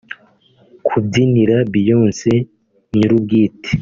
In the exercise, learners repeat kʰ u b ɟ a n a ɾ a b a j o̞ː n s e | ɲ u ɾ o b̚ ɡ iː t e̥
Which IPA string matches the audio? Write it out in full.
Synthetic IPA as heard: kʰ u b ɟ i n i ɾ a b i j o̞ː n s e | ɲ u ɾ u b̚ ɡ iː t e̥